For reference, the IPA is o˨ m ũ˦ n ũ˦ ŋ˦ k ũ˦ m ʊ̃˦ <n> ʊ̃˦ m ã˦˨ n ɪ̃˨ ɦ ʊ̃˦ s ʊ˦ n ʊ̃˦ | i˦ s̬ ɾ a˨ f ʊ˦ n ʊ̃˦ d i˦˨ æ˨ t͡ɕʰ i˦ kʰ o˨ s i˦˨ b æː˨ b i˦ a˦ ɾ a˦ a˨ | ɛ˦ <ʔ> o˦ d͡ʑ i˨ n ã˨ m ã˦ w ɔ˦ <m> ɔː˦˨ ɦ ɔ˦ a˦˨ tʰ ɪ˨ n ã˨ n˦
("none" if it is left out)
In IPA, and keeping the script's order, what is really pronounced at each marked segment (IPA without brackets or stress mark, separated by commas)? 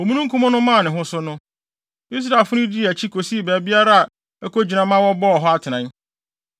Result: n, k, b